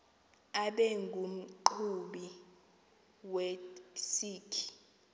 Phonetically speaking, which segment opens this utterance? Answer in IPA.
a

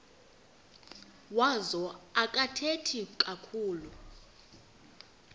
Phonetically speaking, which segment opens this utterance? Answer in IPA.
w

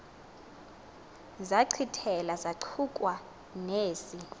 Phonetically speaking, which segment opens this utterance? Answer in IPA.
z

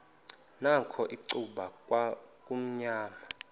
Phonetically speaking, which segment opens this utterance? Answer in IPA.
n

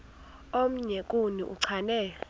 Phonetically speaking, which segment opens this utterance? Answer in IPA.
o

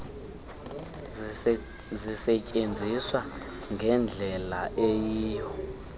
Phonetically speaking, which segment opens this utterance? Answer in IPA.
z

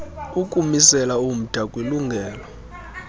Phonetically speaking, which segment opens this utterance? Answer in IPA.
u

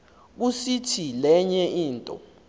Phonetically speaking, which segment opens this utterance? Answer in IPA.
k̬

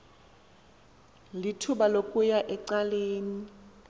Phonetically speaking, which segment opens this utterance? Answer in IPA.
l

